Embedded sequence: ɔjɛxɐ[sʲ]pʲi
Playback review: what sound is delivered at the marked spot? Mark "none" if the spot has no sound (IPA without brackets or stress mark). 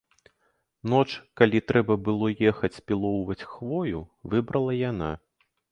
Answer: t͡sʲ